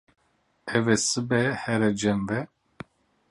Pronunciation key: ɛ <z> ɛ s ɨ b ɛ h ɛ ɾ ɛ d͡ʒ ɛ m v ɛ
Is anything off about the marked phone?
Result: yes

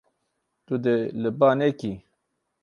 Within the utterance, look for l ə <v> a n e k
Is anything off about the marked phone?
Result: yes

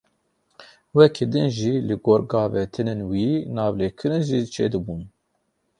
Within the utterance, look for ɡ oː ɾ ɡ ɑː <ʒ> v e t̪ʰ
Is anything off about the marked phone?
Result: yes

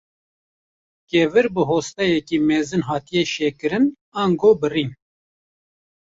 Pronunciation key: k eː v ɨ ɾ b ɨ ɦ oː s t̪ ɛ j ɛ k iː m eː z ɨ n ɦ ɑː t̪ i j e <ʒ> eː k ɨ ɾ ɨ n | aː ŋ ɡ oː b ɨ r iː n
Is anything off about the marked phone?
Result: yes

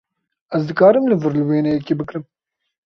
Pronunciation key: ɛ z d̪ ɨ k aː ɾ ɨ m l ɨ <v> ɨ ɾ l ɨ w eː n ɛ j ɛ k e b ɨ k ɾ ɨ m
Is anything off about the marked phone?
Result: no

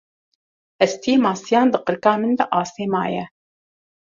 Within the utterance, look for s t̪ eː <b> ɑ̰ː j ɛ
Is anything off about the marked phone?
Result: yes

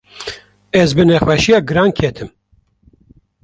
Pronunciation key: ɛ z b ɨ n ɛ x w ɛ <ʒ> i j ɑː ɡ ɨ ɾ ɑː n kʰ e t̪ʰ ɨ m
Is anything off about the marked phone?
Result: yes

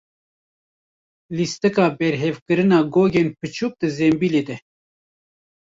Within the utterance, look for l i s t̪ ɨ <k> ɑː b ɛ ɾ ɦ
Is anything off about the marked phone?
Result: no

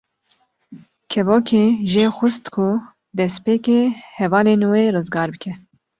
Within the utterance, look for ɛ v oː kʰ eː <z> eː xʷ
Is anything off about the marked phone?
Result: yes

